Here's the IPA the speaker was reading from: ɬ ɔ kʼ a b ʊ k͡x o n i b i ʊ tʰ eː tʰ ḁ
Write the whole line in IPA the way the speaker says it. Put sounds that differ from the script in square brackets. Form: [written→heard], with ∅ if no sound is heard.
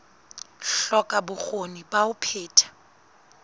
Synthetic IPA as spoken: ɬ ɔ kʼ a b ʊ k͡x o n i b [i→a] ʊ [tʰ→pʰ] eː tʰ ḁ